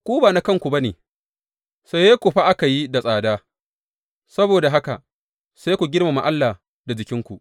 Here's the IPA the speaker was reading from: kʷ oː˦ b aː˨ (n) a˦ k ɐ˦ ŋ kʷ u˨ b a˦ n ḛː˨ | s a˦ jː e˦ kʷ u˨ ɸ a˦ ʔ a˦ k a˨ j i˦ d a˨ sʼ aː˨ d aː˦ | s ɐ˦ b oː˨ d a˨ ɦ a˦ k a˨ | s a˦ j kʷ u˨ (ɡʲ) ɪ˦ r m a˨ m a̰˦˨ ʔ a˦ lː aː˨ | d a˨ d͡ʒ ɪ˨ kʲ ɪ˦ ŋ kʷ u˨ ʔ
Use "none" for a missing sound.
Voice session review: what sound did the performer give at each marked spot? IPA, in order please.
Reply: n, ɡʲ

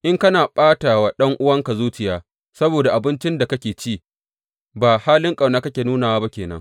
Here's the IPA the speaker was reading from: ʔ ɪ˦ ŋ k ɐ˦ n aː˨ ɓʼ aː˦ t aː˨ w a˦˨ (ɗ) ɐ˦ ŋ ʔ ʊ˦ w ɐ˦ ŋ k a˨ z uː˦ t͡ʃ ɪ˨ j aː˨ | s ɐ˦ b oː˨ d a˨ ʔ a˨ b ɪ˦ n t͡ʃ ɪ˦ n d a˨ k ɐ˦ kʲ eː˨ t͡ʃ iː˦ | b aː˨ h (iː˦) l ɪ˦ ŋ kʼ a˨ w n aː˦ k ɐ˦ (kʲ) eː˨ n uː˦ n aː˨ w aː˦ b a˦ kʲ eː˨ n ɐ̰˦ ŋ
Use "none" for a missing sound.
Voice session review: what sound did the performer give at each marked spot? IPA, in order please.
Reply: ɗ, aː˦, kʲ

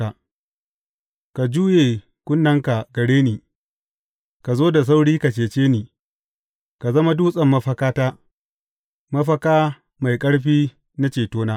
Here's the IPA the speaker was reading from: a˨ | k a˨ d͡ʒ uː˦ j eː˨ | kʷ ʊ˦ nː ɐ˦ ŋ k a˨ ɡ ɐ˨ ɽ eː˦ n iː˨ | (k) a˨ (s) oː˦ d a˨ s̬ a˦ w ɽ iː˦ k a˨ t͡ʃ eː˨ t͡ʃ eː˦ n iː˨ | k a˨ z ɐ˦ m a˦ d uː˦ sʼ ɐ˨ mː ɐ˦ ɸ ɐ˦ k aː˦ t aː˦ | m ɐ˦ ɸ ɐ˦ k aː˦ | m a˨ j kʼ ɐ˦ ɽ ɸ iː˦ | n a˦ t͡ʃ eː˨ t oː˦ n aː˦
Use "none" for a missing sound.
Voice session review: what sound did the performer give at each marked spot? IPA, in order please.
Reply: k, z

